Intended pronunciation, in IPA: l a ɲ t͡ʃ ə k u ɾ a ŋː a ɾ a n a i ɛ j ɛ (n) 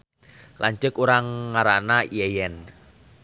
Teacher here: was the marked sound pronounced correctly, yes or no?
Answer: yes